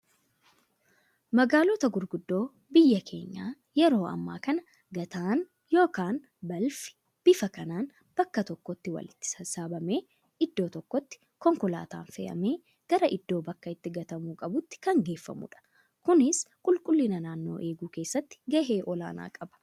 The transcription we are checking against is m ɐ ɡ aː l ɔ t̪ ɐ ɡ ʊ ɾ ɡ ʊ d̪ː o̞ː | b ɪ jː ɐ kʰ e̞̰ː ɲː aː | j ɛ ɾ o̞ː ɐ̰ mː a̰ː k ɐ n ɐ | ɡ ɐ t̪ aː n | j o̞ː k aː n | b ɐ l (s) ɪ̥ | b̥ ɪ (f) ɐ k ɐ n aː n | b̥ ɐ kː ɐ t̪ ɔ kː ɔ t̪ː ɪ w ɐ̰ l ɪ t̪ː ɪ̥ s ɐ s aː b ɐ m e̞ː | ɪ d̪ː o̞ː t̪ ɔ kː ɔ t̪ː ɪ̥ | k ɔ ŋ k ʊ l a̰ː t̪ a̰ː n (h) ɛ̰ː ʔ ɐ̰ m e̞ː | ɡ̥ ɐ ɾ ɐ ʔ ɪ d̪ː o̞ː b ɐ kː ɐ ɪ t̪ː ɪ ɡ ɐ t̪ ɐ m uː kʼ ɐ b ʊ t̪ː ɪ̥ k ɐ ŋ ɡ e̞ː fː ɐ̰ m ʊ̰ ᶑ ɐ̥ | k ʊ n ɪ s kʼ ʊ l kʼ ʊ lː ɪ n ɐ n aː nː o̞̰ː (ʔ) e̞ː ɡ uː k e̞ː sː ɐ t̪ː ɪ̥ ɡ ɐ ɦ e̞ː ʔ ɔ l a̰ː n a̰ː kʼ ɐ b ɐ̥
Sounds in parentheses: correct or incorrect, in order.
incorrect, correct, incorrect, correct

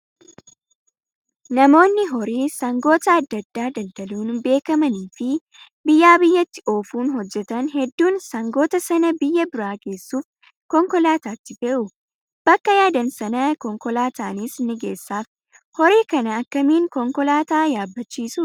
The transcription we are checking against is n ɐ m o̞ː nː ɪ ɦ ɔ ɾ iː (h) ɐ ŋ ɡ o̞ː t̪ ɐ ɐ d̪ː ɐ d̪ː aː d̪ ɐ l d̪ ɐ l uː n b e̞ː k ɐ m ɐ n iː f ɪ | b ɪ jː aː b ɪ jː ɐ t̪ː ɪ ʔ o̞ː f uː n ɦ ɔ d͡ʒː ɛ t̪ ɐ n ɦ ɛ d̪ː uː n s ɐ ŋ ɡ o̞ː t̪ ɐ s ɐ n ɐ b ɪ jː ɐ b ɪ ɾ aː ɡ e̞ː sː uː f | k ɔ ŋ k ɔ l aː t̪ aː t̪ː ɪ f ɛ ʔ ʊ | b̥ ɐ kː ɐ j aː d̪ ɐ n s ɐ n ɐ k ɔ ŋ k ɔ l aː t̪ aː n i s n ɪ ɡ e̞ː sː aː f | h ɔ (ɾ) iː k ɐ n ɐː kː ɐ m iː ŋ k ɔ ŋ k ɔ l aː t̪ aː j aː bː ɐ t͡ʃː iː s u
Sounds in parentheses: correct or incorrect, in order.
incorrect, correct

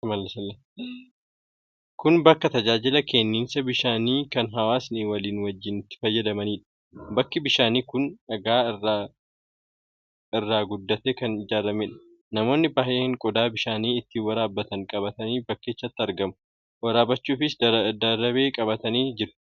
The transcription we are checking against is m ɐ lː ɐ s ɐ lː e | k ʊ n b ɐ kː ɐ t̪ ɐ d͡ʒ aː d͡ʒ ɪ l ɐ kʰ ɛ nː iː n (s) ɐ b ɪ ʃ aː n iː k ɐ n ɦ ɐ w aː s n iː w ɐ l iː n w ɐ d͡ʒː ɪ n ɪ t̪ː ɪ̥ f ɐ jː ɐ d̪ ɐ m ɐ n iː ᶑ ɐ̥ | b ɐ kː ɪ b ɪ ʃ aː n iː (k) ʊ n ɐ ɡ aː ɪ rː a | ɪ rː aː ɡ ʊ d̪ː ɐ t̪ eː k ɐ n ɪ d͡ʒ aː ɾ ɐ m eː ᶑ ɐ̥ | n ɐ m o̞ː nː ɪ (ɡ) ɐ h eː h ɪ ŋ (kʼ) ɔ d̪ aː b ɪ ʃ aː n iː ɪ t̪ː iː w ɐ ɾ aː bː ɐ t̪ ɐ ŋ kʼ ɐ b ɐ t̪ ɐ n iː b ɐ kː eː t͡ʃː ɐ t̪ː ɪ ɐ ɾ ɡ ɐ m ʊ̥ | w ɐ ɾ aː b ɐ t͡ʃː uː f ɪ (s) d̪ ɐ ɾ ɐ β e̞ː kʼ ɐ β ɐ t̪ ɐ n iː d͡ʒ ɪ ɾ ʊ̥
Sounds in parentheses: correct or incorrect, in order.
correct, correct, incorrect, correct, correct

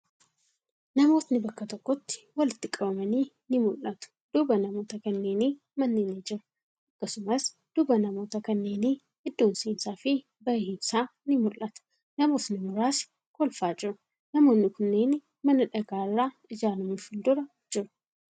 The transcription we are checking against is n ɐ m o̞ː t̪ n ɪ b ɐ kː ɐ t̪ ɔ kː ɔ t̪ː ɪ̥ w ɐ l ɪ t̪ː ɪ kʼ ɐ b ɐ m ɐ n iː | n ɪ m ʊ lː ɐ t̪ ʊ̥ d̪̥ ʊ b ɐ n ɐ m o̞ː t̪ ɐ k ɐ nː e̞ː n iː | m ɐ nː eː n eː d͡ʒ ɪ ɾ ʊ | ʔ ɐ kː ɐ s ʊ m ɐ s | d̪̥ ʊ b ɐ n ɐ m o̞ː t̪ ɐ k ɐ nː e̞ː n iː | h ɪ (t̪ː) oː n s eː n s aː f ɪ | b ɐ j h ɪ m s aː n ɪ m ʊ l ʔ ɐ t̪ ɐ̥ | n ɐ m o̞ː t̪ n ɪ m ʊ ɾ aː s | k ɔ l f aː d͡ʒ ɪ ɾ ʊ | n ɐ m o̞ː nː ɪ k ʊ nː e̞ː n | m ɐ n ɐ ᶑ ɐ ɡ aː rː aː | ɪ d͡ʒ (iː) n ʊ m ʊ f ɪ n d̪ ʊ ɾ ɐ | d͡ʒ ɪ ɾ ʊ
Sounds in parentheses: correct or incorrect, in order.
incorrect, incorrect

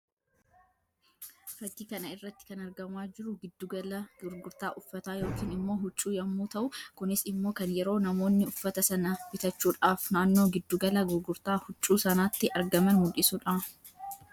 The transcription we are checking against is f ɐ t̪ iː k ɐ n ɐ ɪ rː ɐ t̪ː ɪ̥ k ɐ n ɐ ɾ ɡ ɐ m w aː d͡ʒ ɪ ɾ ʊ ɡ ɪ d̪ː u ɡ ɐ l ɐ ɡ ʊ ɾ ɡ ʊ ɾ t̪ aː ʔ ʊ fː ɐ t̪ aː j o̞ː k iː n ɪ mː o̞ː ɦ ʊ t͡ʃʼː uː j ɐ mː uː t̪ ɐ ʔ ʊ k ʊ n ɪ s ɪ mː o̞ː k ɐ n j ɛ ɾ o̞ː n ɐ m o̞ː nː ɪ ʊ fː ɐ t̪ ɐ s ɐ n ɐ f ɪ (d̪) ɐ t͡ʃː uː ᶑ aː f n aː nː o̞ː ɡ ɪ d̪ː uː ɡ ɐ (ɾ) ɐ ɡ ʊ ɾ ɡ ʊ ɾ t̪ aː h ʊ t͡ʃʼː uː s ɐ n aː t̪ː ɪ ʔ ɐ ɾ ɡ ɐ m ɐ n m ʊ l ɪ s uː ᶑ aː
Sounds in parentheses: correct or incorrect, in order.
incorrect, incorrect

